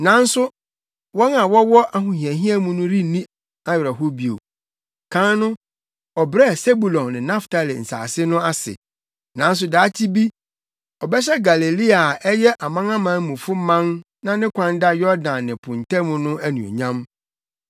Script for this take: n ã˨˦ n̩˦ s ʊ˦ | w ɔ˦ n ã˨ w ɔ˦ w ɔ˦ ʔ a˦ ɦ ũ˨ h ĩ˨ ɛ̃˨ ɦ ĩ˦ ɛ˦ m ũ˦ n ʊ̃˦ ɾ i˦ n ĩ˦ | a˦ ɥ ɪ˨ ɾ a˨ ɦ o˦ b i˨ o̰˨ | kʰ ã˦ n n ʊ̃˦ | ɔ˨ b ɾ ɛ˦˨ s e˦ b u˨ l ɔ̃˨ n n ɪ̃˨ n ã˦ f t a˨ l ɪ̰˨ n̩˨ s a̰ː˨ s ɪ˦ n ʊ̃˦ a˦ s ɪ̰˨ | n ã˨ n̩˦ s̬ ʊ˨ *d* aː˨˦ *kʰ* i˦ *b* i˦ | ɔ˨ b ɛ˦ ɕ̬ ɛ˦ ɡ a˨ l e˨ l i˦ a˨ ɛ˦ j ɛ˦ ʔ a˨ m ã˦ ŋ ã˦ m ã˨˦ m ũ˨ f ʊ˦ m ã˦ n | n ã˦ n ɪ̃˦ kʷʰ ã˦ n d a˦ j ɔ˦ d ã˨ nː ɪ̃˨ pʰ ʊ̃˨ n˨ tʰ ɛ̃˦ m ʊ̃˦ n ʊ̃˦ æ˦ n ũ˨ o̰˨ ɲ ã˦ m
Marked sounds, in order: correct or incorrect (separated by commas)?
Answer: correct, incorrect, correct